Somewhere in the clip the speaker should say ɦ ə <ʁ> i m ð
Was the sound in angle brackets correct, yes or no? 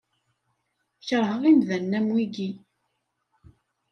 yes